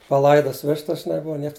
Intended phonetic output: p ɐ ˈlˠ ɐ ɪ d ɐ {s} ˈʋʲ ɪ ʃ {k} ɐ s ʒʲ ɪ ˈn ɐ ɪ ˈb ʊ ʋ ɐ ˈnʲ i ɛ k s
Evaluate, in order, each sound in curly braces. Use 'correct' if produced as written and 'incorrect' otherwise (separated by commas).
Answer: correct, incorrect